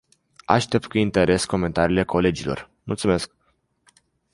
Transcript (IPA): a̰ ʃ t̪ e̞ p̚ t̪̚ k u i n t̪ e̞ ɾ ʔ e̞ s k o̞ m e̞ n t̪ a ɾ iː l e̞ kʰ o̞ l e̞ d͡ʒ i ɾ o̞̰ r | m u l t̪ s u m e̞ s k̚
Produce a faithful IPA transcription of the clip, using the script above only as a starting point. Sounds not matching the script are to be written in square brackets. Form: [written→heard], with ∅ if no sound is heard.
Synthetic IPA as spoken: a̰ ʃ t̪ e̞ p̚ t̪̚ k u i n t̪ e̞ ɾ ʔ e̞ s k o̞ m e̞ n t̪ a ɾ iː l e̞ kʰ o̞ l e̞ d͡ʒ i [ɾ→l] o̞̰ r | m u l t̪ s u m e̞ s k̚